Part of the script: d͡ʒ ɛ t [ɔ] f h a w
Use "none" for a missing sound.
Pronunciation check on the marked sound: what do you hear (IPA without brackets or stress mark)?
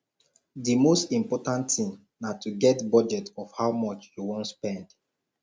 ɔ